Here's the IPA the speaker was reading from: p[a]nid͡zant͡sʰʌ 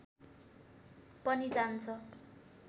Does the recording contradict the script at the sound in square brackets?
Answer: yes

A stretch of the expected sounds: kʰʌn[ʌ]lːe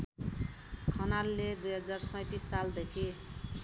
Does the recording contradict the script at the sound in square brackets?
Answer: yes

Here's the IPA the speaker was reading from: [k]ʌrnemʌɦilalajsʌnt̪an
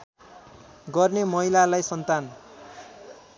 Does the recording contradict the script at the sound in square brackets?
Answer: yes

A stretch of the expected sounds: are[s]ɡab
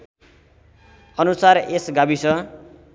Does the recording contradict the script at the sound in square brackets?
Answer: no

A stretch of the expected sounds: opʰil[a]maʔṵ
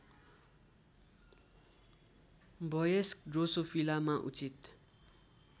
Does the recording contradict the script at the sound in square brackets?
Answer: no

